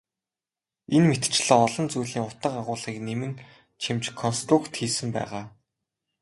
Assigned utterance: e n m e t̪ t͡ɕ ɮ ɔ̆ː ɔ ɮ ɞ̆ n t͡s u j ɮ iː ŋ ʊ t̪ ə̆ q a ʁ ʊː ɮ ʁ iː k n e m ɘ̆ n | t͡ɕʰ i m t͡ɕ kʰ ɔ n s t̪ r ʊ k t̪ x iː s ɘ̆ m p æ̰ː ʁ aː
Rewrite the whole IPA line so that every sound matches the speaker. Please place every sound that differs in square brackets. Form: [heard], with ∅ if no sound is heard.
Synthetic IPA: e n m e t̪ t͡ɕ ɮ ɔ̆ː ɔ ɮ ɞ̆ n t͡s u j ɮ iː ŋ ʊ t̪ ə̆ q a ʁ ʊː ɮ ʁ iː k n e m ɘ̆ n | t͡ɕʰ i m t͡ɕ kʰ ɔ n s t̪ r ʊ k t̪ x iː s ɘ̆ m p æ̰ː ʁ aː